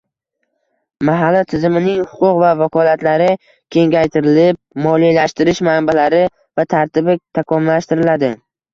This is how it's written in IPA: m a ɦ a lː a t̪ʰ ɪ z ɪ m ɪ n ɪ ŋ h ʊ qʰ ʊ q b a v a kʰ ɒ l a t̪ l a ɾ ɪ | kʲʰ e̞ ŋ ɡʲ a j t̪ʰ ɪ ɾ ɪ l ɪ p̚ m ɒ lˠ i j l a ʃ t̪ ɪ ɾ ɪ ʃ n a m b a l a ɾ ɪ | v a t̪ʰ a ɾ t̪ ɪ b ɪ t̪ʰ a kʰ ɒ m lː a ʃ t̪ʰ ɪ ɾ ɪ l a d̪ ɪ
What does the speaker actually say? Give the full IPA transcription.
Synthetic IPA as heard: m a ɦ a lː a t̪ʰ ɪ z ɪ m ɪ n ɪ ŋ h ʊ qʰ ʊ q v a v a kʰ ɒ l a t̪ l a ɾ ɪ | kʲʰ e̞ ŋ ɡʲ a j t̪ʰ ɪ ɾ ɪ l ɪ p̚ m ɒ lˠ i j l a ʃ t̪ ɪ ɾ ɪ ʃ m a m b a l a ɾ ɪ | v a t̪ʰ a ɾ t̪ ɪ b ɪ t̪ʰ a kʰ ɒ m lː a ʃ t̪ ɪ ɾ ɪ l a d̪ ɪ